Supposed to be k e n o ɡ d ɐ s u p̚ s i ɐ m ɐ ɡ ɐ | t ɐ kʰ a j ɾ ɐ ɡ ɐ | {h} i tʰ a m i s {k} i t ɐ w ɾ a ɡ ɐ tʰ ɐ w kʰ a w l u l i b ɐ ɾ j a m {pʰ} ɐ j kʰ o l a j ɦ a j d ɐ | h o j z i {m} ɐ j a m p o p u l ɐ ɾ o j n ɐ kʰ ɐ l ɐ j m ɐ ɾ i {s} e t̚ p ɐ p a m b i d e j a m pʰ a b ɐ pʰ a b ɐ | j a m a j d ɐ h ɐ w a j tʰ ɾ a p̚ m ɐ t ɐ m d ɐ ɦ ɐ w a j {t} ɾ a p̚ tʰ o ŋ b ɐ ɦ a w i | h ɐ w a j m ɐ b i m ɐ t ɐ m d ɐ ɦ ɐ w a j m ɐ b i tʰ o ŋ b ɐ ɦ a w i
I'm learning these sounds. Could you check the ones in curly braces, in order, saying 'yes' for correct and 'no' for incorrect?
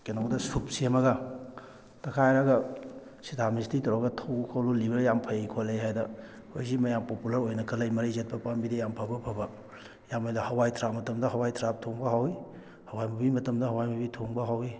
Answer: no, no, yes, yes, no, no

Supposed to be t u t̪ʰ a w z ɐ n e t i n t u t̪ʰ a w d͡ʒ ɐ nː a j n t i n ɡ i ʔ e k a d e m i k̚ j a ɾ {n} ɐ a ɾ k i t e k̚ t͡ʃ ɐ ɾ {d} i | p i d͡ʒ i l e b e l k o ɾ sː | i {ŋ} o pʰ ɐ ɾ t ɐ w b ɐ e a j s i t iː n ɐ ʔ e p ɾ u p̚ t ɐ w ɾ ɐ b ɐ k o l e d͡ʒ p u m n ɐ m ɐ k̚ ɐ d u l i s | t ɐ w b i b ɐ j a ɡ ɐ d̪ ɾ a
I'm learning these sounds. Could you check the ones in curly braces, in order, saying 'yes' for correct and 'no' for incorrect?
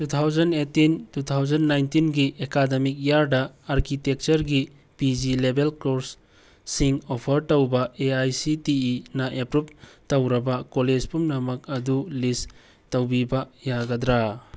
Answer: no, no, yes

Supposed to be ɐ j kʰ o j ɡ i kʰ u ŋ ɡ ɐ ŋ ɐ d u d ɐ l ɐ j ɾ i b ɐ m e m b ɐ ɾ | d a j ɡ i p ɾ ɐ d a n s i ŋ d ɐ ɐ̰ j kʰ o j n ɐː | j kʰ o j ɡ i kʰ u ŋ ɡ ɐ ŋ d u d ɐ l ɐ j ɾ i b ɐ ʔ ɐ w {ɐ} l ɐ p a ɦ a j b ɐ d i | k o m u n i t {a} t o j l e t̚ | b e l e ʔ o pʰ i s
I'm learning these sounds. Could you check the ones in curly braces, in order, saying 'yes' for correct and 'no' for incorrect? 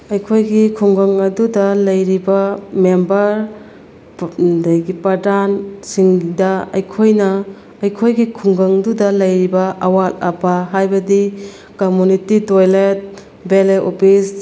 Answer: no, no

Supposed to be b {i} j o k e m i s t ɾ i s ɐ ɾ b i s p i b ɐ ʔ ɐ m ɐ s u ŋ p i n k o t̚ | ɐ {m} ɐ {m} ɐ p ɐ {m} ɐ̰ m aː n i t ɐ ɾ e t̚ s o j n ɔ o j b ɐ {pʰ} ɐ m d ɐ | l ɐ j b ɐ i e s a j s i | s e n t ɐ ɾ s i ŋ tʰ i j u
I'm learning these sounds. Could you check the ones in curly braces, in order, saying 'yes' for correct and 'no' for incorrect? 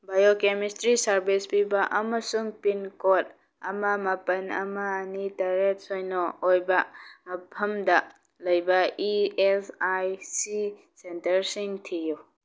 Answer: no, yes, yes, no, yes

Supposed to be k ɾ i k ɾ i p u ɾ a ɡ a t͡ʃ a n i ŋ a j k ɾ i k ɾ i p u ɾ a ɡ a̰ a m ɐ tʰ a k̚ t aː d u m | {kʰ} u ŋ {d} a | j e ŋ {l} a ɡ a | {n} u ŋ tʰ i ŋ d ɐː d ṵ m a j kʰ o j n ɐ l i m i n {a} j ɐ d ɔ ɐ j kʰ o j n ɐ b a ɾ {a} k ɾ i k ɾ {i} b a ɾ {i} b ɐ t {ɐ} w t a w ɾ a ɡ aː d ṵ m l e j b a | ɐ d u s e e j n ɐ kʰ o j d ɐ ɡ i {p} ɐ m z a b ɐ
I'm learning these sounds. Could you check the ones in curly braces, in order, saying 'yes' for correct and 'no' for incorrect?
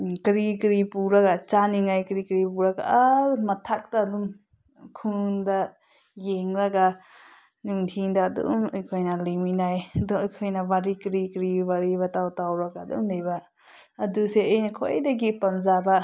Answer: yes, yes, no, yes, yes, no, yes, yes, no, yes

